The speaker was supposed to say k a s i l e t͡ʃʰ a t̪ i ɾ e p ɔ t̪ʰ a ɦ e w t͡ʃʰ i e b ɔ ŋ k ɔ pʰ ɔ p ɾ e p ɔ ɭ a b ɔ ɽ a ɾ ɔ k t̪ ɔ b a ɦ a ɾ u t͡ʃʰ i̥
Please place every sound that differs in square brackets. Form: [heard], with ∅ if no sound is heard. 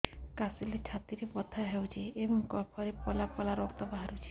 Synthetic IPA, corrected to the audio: k a s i l e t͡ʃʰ a t̪ i ɾ e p ɔ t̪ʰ a ɦ e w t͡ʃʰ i e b ɔ ŋ k ɔ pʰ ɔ [∅] ɾ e p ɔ [l] a [p] ɔ [l] a ɾ ɔ k t̪ ɔ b a ɦ a ɾ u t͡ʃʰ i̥